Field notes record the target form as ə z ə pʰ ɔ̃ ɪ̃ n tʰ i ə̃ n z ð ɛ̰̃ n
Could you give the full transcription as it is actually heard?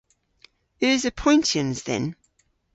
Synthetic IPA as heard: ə z ə pʰ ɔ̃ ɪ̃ n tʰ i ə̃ n z ð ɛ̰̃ n